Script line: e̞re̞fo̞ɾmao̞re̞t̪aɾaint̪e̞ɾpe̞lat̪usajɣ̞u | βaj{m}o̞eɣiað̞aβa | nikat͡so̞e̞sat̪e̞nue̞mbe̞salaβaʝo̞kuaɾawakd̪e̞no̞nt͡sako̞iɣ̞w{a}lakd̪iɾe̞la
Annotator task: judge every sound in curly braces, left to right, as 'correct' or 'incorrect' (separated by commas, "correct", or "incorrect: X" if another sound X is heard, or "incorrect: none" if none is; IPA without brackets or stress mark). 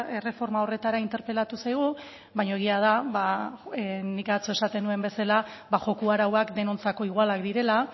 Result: incorrect: ɲ, correct